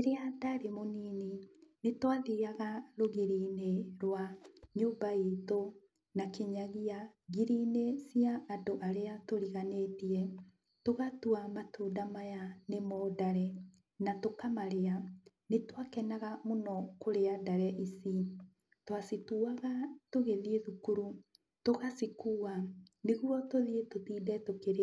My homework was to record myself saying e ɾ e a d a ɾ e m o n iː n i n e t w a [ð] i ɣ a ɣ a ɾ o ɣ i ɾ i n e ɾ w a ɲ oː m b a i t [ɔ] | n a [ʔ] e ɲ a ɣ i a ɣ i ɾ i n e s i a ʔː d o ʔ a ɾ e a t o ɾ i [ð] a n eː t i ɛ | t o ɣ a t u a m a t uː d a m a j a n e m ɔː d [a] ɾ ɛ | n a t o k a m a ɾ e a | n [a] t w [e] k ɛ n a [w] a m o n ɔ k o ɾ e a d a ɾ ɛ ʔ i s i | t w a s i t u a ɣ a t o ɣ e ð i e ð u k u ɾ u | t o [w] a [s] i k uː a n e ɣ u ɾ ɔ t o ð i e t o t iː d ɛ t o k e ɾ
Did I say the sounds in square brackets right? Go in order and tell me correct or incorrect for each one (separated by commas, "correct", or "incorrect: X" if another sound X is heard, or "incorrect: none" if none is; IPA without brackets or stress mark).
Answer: correct, incorrect: o, incorrect: k, incorrect: ɣ, correct, incorrect: e, incorrect: a, incorrect: ɣ, incorrect: ɣ, correct